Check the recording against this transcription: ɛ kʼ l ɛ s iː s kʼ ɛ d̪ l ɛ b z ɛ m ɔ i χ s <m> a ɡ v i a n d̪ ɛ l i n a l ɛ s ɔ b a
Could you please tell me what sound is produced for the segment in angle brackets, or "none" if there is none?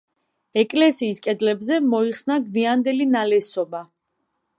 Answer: n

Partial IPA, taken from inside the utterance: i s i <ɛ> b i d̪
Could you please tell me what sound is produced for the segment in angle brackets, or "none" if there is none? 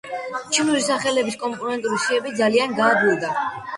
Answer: ɛ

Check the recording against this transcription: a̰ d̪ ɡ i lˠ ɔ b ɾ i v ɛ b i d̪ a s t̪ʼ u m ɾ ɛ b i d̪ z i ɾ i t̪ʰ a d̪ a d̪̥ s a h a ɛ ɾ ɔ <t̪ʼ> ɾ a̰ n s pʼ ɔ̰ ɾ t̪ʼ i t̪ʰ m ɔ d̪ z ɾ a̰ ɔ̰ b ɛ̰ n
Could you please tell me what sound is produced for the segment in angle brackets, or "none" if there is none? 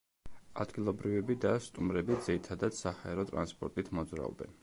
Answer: t̪ʼ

